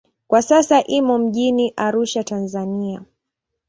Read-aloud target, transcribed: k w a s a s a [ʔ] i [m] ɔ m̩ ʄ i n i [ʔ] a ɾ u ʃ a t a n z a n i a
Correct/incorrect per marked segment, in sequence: correct, correct, correct

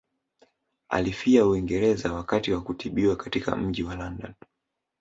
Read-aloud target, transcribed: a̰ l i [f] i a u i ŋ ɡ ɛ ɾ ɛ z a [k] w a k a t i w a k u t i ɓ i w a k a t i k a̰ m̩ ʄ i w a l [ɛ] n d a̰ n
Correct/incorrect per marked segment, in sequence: correct, incorrect: none, incorrect: a

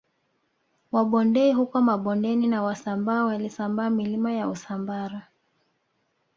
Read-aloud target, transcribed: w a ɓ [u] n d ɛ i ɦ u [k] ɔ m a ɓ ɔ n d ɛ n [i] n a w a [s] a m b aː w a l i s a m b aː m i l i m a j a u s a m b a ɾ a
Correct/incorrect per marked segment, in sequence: incorrect: ɔ, correct, correct, correct

